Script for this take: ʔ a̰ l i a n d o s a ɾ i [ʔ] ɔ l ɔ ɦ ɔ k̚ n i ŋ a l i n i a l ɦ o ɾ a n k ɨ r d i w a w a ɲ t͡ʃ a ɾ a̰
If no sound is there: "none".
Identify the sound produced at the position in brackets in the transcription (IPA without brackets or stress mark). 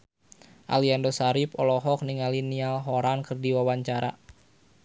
p